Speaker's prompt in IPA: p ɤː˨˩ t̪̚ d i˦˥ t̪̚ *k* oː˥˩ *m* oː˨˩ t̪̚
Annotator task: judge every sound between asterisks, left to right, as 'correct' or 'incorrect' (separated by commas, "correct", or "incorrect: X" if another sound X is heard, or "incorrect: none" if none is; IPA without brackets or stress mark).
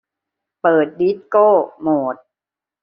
correct, correct